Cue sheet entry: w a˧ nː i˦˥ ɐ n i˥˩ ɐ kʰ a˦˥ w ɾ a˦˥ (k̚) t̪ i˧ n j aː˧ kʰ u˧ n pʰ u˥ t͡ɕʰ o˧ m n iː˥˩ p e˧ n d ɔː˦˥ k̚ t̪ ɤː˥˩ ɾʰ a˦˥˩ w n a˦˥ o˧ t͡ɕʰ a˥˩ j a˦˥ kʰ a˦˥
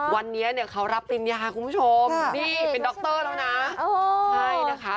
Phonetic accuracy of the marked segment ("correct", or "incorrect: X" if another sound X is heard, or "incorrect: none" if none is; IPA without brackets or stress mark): incorrect: p̚